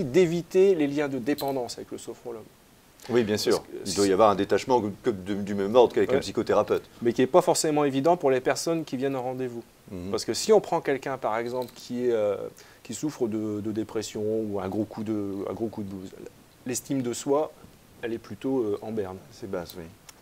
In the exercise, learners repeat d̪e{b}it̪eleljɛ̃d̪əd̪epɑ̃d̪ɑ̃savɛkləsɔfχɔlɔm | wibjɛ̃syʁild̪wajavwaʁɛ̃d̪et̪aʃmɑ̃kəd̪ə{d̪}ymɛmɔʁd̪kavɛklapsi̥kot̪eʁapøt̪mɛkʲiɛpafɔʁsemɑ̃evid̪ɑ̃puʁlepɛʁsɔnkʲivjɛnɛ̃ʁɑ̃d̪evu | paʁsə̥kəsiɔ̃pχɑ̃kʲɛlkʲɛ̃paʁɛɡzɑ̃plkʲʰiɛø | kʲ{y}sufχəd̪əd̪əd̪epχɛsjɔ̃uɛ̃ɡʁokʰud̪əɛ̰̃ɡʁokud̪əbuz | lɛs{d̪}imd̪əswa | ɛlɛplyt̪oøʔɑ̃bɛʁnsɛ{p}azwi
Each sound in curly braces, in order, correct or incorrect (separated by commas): incorrect, correct, incorrect, incorrect, incorrect